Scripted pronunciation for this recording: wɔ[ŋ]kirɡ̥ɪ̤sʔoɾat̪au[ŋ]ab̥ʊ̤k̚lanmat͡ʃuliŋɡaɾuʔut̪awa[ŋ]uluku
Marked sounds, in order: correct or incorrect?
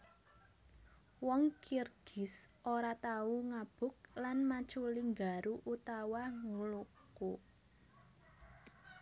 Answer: correct, correct, correct

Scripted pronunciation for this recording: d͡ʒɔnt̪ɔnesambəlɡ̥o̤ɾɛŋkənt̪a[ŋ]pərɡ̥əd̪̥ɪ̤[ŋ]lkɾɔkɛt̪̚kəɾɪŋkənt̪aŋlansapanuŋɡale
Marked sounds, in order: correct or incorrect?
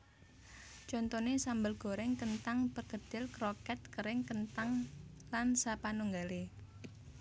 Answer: correct, incorrect: none

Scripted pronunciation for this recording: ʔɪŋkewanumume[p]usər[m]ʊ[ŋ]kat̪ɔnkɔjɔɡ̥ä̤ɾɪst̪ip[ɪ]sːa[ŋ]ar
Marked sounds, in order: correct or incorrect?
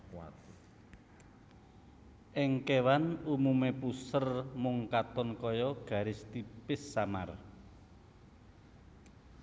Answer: correct, correct, correct, correct, incorrect: m

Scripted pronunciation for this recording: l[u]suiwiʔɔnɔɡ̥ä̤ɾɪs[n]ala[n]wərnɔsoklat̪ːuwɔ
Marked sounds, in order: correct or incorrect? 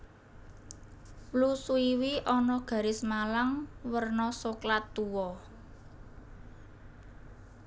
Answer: correct, incorrect: m, incorrect: ŋ

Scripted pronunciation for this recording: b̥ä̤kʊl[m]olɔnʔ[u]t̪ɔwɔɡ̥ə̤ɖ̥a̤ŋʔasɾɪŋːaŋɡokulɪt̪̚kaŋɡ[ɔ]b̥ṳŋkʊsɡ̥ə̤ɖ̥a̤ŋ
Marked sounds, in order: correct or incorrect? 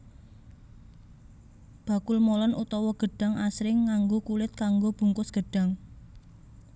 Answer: correct, correct, incorrect: o

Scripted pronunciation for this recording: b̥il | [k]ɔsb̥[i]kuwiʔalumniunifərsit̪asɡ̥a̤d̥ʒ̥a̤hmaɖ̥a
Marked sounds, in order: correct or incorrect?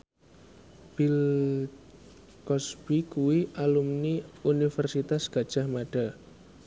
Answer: correct, correct

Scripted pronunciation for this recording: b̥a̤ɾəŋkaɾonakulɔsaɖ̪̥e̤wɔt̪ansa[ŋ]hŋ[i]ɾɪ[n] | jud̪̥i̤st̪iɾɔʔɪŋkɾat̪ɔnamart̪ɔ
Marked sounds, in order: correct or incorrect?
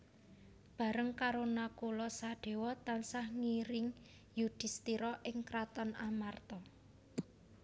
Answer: incorrect: none, correct, incorrect: ŋ

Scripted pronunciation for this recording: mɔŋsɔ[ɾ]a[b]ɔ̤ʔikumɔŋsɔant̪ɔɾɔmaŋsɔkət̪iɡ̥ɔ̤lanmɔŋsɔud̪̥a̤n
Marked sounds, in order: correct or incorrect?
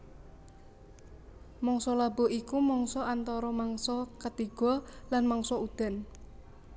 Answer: incorrect: l, correct

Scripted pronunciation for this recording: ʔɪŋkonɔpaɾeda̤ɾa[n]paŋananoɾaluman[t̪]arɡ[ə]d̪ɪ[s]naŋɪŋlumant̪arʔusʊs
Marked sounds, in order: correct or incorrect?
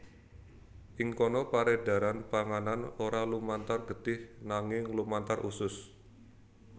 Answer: correct, correct, correct, incorrect: h

